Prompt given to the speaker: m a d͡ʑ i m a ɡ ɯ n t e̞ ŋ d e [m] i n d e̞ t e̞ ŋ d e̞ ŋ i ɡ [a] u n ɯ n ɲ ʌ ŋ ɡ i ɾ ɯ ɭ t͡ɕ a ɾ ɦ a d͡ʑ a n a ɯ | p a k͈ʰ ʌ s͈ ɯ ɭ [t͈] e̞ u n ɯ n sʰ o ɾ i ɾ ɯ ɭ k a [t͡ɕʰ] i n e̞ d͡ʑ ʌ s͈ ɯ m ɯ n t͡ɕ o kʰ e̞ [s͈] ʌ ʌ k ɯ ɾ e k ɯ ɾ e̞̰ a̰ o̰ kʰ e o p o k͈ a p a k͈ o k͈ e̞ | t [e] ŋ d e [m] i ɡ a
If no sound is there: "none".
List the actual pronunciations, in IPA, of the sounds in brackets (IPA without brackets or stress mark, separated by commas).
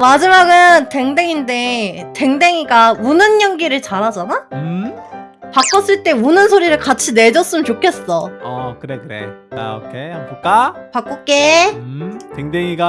ŋ, a, t͈, t͡ɕʰ, s͈, e, ŋ